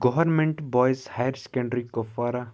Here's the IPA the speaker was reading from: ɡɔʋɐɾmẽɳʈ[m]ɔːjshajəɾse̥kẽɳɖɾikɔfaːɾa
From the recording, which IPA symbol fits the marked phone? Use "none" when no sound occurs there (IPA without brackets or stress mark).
b